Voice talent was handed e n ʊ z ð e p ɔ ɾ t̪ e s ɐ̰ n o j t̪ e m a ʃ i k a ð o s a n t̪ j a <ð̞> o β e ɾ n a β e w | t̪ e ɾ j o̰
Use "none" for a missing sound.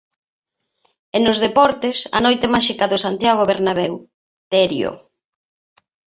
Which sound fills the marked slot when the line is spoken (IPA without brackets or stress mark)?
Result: ɣ̞